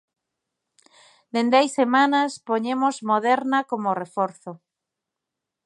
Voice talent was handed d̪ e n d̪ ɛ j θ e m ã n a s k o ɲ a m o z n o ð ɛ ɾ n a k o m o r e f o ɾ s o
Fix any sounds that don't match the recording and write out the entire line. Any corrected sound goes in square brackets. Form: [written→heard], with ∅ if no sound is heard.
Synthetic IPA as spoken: d̪ e n d̪ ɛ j [θ→s] e m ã n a s [k→p] o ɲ [a→e] m o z [n→m] o ð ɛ ɾ n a k o m o r e f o ɾ [s→θ] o